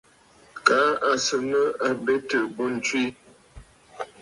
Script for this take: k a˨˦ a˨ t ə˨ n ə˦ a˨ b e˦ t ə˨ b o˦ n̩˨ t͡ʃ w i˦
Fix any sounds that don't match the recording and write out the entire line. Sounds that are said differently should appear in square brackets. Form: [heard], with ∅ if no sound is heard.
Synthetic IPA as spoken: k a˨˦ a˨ [s] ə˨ n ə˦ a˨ b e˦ t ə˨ b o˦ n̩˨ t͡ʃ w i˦

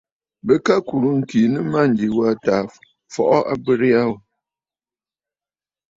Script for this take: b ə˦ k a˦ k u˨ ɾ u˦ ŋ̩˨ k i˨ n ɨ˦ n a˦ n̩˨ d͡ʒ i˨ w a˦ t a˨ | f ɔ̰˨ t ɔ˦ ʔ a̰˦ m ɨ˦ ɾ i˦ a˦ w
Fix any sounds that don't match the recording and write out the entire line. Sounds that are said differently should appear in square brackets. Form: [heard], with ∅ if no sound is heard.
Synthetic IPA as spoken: b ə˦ k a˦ k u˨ ɾ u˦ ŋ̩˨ k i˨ n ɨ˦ [m] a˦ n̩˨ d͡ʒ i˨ w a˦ t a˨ | f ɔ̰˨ [ʔ] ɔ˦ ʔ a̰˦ [b] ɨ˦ ɾ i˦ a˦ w

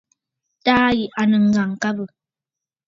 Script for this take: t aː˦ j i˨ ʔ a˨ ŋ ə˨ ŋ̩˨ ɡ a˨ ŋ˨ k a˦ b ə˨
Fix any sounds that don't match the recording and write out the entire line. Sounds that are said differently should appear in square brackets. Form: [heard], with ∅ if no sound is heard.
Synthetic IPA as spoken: t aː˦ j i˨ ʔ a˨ [n] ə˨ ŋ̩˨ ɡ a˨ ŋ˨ k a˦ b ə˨

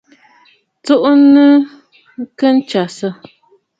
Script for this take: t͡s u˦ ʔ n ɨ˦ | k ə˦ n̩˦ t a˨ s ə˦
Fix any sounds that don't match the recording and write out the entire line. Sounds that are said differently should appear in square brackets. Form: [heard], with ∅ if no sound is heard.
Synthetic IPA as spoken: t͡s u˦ ʔ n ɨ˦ | k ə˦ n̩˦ [t͡ʃ] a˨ s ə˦

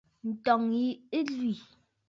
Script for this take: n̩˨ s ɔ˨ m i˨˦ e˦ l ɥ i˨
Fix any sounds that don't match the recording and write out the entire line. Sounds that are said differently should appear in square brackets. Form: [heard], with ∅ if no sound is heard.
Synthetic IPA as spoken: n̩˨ [t] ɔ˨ [ŋ] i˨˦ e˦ l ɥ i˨

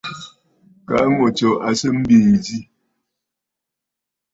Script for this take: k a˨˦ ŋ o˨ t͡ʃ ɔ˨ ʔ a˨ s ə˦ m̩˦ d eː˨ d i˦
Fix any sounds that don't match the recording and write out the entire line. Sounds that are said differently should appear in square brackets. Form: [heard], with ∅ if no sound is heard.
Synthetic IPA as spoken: k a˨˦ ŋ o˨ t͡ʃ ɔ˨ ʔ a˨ s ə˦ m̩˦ [b] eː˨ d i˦

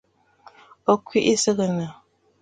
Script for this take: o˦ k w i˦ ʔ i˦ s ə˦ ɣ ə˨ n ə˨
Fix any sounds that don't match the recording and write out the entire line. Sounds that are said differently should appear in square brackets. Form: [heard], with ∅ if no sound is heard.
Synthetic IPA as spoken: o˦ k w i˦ ʔ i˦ s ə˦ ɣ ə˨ n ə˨

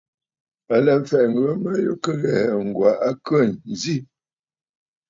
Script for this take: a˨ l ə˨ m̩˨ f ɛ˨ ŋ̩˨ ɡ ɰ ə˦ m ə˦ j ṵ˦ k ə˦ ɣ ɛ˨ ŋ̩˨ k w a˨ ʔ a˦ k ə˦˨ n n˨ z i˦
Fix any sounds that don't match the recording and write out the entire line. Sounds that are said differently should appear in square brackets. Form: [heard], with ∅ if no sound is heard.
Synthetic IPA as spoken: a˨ l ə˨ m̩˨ f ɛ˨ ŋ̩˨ ɡ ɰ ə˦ m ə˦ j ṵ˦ k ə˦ ɣ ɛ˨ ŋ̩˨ [ɡ] w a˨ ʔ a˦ k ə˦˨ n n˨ z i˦

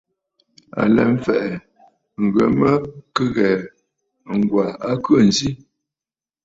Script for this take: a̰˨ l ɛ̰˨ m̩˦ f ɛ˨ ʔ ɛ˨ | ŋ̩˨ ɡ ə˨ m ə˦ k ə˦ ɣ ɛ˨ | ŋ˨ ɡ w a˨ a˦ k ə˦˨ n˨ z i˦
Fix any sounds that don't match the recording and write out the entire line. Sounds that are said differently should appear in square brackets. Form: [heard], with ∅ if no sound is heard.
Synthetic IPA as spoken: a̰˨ l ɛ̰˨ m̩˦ f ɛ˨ ʔ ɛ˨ | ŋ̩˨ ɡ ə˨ m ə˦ k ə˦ ɣ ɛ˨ | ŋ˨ ɡ w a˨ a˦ k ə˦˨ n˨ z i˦

